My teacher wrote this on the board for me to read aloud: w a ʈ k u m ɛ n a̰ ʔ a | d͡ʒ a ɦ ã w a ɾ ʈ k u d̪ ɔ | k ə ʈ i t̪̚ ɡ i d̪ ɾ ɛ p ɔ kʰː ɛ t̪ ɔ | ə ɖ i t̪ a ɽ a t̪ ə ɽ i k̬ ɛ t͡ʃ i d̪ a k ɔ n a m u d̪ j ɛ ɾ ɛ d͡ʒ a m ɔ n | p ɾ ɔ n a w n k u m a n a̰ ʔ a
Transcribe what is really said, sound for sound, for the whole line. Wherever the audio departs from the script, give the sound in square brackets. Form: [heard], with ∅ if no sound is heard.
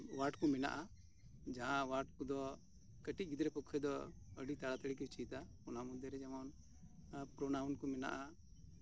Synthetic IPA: w a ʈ k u m ɛ n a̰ ʔ a | d͡ʒ a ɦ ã w a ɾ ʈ k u d̪ ɔ | k ə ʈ i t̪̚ ɡ i d̪ ɾ ɛ p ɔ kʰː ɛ [d̪] ɔ | ə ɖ i t̪ a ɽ a t̪ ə ɽ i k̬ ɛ t͡ʃ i [t̪] a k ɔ n a m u d̪ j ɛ ɾ ɛ d͡ʒ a m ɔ n | p ɾ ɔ n a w n k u m [ɛ] n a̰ ʔ a